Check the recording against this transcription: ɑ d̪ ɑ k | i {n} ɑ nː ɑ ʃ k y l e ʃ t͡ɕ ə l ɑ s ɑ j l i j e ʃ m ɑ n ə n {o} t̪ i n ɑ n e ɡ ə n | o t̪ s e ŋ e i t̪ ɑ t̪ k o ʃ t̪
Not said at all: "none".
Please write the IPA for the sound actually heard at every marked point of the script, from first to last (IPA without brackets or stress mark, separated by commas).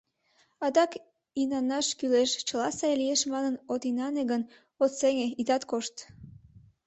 n, o